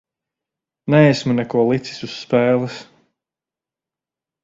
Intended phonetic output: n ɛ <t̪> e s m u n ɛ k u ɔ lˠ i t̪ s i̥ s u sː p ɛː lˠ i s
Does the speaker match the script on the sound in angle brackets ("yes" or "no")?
no